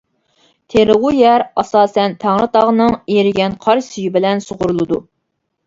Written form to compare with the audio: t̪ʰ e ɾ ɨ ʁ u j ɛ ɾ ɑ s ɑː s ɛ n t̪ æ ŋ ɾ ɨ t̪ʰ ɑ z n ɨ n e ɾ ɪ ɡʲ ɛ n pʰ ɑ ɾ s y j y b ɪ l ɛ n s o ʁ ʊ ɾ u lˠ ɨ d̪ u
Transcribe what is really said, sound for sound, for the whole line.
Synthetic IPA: t̪ʰ e ɾ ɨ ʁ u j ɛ ɾ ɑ s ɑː s ɛ n t̪ʰ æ ŋ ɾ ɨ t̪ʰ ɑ ʁ n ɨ ŋ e ɾ ɪ ɡʲ ɛ n qʰ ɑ ɾ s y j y b ɪ l ɛ n s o ʁ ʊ ɾ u lˠ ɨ d̪ u